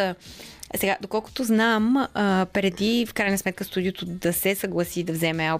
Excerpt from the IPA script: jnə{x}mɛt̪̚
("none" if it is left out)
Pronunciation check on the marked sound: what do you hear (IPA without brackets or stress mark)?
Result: s